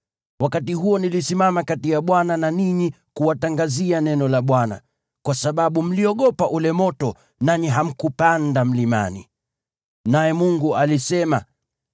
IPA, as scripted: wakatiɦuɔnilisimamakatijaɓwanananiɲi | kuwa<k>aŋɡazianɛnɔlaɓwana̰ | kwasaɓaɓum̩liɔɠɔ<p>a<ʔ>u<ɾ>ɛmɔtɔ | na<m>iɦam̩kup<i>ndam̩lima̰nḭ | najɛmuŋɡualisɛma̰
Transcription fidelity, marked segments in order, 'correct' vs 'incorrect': incorrect: t, correct, correct, incorrect: l, incorrect: ɲ, incorrect: a

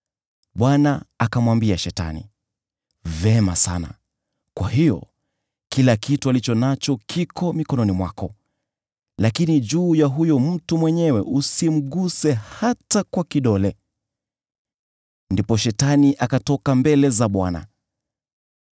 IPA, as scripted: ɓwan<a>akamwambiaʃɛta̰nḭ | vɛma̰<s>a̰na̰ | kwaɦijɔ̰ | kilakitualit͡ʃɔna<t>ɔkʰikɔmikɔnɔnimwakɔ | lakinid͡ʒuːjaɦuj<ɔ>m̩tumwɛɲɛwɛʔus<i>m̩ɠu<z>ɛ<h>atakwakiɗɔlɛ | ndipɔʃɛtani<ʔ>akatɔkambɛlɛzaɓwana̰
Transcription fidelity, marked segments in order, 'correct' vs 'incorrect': correct, correct, incorrect: t͡ʃ, correct, correct, incorrect: s, correct, correct

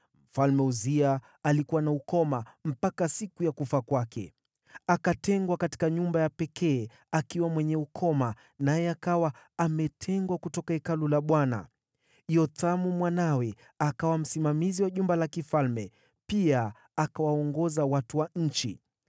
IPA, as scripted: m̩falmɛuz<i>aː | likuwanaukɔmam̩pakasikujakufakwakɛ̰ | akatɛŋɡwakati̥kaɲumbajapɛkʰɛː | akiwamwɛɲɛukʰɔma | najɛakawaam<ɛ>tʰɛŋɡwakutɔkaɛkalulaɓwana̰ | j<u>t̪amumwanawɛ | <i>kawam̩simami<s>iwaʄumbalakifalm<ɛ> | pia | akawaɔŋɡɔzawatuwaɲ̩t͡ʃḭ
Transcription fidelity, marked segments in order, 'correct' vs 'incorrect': correct, correct, incorrect: ɔ, incorrect: a, incorrect: z, correct

